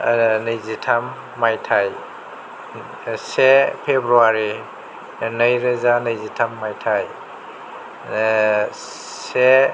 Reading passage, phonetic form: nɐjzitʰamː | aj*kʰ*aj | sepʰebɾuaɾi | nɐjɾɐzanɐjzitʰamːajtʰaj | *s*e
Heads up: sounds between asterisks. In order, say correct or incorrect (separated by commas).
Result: incorrect, correct